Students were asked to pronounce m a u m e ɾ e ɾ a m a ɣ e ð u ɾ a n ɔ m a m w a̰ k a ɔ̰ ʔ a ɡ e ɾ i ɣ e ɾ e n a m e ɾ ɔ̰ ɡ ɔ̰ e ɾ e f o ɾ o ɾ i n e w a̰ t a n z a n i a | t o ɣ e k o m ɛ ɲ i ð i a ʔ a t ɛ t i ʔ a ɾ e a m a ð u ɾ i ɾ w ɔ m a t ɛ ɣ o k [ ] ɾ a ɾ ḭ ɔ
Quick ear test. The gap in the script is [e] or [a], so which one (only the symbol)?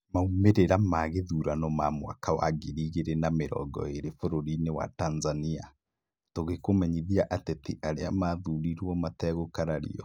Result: a